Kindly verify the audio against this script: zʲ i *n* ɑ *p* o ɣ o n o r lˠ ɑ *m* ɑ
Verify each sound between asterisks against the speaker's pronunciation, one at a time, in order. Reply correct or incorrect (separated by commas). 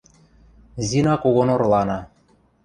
correct, incorrect, incorrect